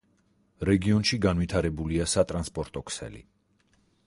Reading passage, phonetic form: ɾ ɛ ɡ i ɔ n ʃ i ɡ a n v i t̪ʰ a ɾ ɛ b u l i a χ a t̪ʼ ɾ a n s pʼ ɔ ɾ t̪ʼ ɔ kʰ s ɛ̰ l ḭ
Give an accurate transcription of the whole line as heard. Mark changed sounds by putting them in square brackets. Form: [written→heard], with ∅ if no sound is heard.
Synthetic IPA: ɾ ɛ ɡ i ɔ n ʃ i ɡ a n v i t̪ʰ a ɾ ɛ b u l i a [χ→s] a t̪ʼ ɾ a n s pʼ ɔ ɾ t̪ʼ ɔ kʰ s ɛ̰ l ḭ